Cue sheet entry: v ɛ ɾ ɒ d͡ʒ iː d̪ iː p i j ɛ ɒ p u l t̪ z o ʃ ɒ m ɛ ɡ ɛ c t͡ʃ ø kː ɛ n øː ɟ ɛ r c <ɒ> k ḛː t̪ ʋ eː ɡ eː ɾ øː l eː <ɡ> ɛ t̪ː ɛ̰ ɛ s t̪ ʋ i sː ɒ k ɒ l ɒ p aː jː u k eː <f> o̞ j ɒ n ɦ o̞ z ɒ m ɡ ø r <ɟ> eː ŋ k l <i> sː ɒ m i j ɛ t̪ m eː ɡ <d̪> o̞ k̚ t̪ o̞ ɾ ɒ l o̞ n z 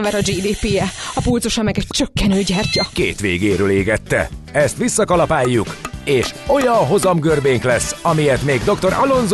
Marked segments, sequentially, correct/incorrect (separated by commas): correct, correct, incorrect, incorrect, incorrect, correct